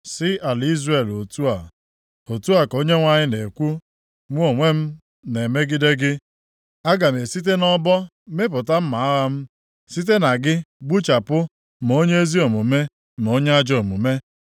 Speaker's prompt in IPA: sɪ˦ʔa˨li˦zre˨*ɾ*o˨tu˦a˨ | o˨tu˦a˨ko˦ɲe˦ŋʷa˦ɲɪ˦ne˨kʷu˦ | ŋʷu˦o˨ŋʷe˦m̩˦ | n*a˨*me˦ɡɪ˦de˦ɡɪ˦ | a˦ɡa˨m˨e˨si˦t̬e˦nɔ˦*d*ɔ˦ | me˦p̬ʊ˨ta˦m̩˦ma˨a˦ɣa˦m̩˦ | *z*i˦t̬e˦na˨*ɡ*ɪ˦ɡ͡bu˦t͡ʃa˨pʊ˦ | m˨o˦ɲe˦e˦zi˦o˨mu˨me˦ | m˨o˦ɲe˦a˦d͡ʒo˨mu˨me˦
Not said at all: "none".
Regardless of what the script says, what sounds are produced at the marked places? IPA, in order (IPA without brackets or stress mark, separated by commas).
l, e˨, b, s, ɡ